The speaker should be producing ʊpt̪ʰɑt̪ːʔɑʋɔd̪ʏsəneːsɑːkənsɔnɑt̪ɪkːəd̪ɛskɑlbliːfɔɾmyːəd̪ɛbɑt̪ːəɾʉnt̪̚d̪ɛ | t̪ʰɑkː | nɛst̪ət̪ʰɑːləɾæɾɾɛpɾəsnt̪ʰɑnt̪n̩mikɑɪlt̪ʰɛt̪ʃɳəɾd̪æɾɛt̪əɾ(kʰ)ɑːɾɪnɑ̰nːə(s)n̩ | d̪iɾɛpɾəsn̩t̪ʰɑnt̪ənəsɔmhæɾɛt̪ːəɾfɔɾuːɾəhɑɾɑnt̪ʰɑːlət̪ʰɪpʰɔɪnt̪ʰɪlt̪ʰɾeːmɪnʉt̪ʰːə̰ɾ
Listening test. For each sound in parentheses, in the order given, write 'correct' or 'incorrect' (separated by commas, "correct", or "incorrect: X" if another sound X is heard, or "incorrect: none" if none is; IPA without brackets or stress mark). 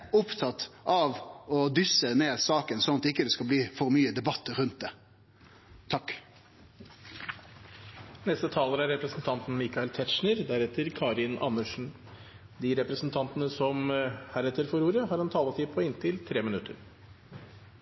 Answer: correct, incorrect: ʂ